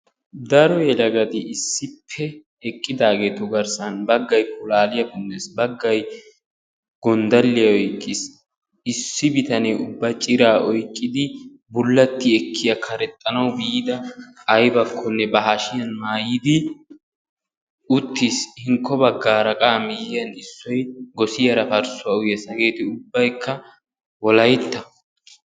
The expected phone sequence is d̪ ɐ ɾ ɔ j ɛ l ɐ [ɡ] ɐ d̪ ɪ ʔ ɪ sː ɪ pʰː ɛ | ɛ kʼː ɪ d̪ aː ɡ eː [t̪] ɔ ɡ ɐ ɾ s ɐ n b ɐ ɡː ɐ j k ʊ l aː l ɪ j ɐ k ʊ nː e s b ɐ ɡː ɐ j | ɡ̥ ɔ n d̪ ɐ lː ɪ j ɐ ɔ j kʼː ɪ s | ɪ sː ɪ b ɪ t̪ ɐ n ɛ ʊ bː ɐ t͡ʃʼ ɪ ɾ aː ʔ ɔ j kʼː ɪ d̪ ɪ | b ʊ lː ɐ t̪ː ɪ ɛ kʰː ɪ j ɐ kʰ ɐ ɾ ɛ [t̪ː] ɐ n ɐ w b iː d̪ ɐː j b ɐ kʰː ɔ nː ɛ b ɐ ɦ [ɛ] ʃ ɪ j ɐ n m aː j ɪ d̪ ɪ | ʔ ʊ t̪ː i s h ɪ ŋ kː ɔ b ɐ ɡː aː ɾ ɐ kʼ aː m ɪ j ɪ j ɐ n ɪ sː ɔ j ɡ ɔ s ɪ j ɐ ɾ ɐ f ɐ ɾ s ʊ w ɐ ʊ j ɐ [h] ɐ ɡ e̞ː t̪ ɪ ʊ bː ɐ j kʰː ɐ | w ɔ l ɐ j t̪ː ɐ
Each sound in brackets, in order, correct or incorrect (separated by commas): correct, correct, incorrect, incorrect, incorrect